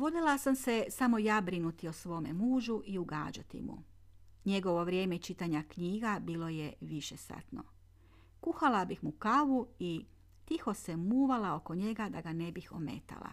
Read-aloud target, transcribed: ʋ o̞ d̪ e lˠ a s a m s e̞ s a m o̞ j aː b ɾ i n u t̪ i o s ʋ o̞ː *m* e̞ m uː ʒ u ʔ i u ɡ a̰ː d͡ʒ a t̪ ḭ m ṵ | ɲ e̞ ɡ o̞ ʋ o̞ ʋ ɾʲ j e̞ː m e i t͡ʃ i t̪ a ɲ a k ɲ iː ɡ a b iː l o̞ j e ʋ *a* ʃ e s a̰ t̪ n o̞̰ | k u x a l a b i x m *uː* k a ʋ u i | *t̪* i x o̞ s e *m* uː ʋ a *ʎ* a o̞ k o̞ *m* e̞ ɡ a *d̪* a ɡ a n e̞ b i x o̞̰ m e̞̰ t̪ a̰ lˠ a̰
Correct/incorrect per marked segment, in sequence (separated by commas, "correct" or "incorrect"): correct, incorrect, incorrect, correct, correct, incorrect, incorrect, correct